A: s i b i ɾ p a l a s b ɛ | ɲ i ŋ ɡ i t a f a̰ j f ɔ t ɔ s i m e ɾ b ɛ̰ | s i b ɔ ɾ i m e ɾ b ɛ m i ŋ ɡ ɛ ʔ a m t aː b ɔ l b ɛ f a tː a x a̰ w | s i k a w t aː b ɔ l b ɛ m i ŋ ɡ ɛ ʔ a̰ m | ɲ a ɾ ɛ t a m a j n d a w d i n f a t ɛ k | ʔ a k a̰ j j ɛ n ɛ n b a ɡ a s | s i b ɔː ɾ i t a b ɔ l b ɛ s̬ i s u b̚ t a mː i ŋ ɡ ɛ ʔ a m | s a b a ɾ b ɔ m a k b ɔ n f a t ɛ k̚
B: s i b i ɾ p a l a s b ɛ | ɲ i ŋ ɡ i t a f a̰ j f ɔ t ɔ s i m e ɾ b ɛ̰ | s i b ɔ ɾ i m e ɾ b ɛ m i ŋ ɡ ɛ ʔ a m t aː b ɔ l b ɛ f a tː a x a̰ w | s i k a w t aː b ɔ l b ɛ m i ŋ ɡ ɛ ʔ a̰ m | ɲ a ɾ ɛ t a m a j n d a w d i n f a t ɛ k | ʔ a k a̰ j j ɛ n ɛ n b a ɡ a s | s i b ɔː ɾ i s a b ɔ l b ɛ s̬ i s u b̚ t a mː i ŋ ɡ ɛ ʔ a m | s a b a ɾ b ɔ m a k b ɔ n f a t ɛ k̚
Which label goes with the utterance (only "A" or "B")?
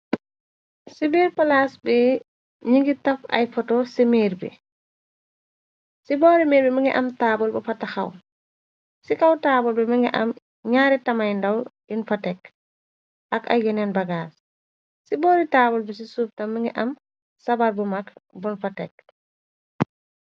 A